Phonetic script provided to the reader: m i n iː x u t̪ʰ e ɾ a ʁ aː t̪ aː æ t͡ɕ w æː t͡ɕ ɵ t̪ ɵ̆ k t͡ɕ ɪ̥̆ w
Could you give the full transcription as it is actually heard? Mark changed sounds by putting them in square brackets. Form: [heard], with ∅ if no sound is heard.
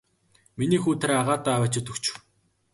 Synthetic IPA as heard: m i n iː x [uː] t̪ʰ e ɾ a ʁ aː t̪ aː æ [∅] w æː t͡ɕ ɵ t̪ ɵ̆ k t͡ɕ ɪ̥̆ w